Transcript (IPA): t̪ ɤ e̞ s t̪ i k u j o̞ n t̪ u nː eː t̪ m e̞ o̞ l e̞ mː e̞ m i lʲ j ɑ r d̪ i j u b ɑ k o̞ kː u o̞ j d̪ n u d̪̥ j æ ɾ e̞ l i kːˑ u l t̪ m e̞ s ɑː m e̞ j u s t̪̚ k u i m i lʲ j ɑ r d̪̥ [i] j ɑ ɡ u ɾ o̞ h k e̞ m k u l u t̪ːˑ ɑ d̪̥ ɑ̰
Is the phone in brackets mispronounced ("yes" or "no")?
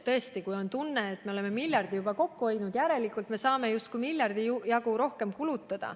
no